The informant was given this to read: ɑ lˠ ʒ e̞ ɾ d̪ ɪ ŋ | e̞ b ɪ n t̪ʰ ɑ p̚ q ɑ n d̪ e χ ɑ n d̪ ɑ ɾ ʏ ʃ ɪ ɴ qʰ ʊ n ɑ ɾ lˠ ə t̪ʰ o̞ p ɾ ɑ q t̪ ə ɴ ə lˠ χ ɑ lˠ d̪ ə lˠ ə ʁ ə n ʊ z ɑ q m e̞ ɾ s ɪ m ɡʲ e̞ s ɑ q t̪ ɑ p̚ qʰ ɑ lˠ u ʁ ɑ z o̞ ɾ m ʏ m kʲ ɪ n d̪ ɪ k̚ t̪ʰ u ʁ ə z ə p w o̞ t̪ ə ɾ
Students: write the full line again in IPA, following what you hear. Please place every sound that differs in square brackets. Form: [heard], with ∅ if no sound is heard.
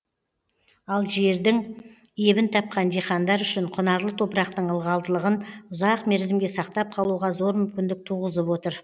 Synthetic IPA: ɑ lˠ ʒ e̞ ɾ d̪ ɪ ŋ | e̞ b ɪ n t̪ʰ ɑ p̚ q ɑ n d̪ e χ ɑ n d̪ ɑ ɾ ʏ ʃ ɪ ɴ qʰ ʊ n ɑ ɾ lˠ ə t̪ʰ o̞ p ɾ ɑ q t̪ ə ɴ ə lˠ [ʁ] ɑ lˠ d̪ ə lˠ ə ʁ ə n ʊ z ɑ q m e̞ ɾ [z] ɪ m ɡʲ e̞ s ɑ q t̪ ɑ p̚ qʰ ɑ lˠ u ʁ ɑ z o̞ ɾ m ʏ m kʲ ɪ n d̪ ɪ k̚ t̪ʰ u ʁ ə z ə p w o̞ t̪ ə ɾ